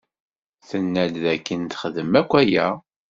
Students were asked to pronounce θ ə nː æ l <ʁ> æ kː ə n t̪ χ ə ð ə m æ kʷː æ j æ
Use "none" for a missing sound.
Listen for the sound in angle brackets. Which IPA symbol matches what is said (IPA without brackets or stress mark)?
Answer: ð